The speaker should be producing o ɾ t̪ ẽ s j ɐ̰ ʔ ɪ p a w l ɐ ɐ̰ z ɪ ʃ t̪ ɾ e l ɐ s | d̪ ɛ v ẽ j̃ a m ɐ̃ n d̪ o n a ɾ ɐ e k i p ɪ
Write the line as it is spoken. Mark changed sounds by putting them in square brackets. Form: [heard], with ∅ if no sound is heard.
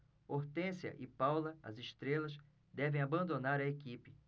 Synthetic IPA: o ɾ t̪ ẽ s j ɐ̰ ʔ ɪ p a w l ɐ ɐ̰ z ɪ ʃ t̪ ɾ e l ɐ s | d̪ ɛ v ẽ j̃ a [b] ɐ̃ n d̪ o n a ɾ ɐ e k i p ɪ